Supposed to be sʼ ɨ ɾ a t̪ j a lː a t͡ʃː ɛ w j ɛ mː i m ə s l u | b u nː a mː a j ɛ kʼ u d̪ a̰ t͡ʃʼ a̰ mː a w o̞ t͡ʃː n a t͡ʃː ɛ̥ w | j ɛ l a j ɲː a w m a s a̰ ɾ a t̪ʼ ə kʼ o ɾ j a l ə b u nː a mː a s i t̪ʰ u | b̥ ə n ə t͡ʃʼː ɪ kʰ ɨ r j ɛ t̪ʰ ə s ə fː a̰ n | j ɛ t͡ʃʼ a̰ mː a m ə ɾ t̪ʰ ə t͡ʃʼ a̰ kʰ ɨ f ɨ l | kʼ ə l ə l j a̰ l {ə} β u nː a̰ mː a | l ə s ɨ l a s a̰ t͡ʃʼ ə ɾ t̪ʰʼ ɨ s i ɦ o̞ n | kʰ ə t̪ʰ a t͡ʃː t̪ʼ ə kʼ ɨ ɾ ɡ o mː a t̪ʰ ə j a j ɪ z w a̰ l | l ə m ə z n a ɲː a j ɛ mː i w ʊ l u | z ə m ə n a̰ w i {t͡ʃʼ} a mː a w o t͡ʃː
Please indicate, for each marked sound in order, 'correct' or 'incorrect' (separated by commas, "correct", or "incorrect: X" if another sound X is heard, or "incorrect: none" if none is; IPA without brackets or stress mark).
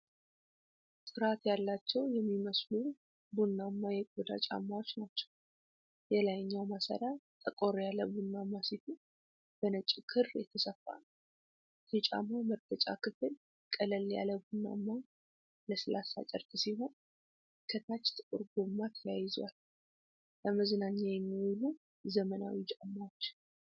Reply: correct, correct